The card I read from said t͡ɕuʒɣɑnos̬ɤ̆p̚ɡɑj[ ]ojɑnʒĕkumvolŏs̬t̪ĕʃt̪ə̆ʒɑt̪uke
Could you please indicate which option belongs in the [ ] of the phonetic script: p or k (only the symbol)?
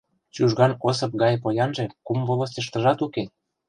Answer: p